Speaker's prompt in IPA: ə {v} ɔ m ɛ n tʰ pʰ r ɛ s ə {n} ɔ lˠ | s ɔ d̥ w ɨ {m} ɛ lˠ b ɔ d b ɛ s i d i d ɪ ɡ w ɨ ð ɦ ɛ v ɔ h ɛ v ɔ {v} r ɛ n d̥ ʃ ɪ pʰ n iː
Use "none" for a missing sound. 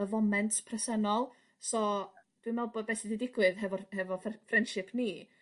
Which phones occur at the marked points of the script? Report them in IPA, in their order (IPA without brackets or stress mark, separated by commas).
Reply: v, n, m, f